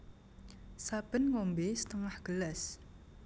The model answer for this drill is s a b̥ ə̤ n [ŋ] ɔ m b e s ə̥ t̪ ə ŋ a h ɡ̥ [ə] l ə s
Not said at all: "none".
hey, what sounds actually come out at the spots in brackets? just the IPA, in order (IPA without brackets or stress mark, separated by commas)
ŋ, ə